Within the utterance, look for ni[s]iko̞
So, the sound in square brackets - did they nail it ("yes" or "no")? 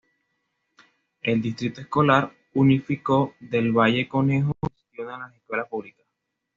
no